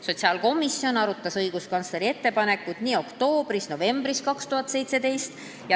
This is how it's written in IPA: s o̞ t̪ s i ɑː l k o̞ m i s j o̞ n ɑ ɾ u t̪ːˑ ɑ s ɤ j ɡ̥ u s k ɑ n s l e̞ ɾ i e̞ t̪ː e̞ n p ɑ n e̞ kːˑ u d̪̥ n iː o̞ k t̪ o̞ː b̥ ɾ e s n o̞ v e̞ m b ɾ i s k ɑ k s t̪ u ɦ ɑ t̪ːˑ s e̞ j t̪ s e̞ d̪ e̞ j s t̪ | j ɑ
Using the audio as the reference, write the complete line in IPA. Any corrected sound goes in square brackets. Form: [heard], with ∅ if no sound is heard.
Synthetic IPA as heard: s o̞ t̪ s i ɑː l k o̞ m i s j o̞ n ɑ ɾ u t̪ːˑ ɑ s ɤ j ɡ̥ u s k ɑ n s l e̞ ɾ i e̞ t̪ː e̞ [∅] p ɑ n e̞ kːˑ u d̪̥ n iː o̞ k t̪ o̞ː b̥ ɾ [i] s n o̞ v e̞ m b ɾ i s k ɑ k s t̪ u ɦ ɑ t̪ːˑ s e̞ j t̪ s e̞ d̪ e̞ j s t̪ | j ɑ